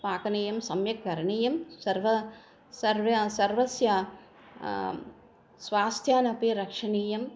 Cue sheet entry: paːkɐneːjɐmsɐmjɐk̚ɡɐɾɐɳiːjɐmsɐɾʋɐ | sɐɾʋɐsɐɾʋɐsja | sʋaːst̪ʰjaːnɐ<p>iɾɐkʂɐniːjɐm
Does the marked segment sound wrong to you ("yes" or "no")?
no